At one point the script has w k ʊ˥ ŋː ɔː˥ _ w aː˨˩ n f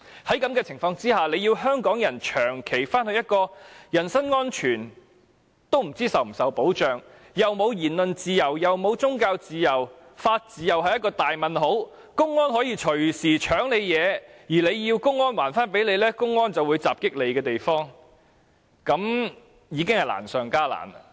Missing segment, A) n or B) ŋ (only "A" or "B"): A